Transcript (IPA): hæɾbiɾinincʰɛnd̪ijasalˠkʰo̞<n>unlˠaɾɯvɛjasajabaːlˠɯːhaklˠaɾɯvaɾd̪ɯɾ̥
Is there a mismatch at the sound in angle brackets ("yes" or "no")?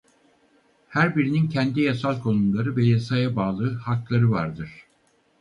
no